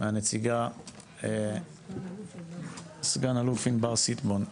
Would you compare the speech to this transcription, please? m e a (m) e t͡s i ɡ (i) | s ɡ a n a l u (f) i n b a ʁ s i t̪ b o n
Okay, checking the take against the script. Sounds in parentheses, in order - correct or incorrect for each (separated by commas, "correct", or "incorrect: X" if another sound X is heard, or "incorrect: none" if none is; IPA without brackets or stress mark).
incorrect: n, incorrect: a, correct